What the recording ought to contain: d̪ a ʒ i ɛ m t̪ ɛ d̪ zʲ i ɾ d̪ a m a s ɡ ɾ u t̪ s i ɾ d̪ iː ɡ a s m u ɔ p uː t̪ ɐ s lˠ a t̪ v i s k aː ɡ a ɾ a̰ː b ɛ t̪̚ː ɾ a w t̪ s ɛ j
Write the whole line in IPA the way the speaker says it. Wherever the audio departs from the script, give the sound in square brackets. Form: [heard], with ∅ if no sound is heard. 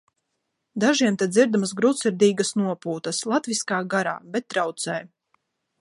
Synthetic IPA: d̪ a ʒ i ɛ m t̪ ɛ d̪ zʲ i ɾ d̪ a m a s ɡ ɾ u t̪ s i ɾ d̪ iː ɡ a s [n] u ɔ p uː t̪ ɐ s lˠ a t̪ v i s k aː ɡ a ɾ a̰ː b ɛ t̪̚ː ɾ a w t̪ s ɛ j